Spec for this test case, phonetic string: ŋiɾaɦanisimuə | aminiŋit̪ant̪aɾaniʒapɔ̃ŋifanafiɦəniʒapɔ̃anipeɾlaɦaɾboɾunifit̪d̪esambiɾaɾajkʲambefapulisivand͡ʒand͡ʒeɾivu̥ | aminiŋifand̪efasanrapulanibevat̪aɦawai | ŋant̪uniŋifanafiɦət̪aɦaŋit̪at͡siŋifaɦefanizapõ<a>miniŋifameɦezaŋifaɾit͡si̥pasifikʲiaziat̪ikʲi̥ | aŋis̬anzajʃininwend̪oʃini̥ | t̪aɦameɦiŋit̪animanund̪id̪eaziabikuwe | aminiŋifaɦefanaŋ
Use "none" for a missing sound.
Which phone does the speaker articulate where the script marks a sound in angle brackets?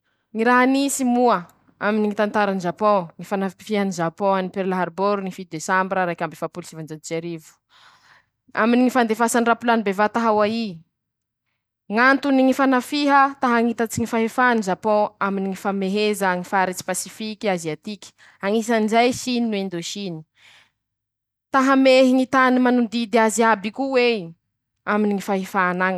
a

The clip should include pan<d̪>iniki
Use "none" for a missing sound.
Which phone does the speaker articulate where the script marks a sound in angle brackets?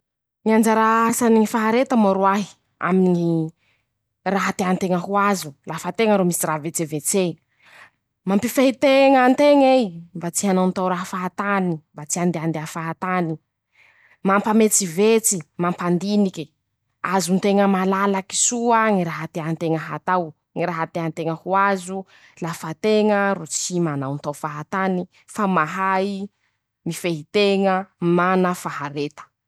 d̪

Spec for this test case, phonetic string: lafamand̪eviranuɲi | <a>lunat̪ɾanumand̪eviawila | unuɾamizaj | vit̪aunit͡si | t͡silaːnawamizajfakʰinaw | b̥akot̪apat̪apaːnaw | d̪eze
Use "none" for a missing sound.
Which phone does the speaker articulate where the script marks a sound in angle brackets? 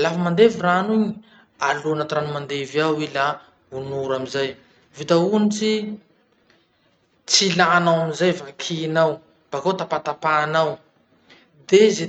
a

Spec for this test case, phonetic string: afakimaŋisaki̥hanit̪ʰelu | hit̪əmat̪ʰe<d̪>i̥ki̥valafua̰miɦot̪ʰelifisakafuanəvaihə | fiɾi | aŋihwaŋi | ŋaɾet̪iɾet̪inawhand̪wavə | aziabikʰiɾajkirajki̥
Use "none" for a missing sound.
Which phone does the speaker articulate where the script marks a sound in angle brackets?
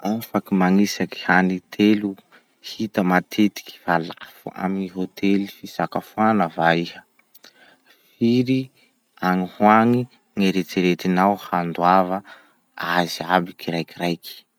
t̪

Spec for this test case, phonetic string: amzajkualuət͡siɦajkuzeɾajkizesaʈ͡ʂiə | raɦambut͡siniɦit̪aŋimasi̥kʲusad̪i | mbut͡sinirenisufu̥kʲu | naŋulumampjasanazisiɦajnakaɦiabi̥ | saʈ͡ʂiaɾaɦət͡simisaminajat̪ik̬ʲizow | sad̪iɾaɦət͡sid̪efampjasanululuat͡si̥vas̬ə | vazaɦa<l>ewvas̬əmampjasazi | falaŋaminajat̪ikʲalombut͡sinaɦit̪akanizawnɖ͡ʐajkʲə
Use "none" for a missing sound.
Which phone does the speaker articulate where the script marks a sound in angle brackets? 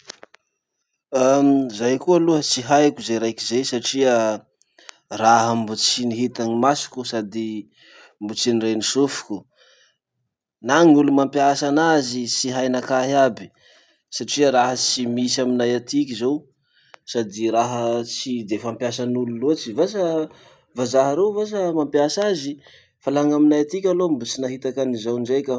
ɾ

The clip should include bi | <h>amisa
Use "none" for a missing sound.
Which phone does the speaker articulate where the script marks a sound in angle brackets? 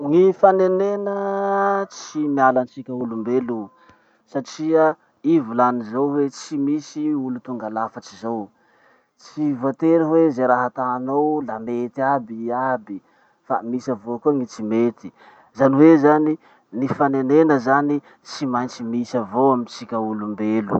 f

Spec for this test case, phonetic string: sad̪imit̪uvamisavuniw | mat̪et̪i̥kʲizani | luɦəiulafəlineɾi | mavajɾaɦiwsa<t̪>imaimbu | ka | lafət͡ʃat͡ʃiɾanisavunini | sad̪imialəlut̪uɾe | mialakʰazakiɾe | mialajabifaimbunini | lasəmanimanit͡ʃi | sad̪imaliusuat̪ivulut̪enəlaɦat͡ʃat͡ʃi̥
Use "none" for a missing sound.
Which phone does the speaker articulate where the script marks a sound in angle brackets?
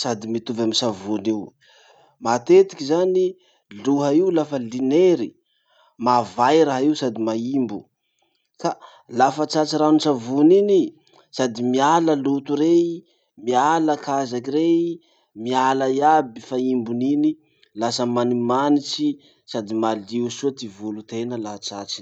d̪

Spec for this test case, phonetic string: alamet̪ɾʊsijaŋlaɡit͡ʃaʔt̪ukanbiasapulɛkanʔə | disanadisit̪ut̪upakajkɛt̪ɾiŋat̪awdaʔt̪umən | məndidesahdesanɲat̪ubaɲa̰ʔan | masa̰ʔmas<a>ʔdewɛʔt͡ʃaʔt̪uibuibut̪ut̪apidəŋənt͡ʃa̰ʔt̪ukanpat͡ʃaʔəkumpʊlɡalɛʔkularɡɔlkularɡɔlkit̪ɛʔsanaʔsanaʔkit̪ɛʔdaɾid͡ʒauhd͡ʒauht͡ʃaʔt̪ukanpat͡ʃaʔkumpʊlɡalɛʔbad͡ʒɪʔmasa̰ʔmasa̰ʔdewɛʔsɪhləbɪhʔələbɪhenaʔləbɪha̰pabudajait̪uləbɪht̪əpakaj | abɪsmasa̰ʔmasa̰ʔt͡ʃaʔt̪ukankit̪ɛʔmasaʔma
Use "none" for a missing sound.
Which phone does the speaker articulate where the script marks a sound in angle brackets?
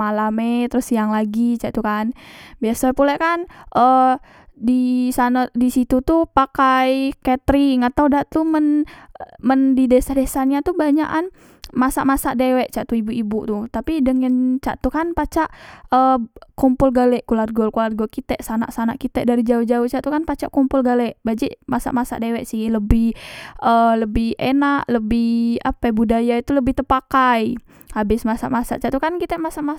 a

